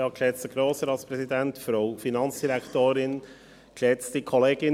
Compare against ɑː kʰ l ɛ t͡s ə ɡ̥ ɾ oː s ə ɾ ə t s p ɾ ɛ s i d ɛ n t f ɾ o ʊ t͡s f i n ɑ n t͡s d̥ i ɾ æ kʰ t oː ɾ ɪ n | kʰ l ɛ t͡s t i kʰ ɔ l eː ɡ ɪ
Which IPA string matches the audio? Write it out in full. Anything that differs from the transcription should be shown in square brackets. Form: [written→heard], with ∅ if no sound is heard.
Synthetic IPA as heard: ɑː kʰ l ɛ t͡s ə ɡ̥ ɾ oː s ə ɾ [ə→ɑ] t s p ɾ ɛ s i d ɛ n t f ɾ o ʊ [t͡s→∅] f i n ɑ n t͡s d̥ i ɾ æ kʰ t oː ɾ ɪ n | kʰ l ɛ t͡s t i kʰ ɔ l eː ɡ ɪ